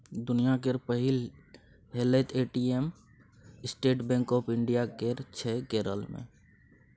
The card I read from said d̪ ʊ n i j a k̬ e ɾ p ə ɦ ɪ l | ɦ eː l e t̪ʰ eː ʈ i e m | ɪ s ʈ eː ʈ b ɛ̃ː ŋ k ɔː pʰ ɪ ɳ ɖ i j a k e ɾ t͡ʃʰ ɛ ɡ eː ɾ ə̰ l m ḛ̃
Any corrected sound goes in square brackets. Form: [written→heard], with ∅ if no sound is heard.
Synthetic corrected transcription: d̪ ʊ n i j a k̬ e ɾ p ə ɦ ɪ l | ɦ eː l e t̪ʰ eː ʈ i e m | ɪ s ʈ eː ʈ b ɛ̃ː ŋ k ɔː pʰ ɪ ɳ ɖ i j a k e ɾ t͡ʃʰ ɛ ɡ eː ɾ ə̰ l m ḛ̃